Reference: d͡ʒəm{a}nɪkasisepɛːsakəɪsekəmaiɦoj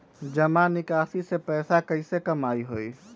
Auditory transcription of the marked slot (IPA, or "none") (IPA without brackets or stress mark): a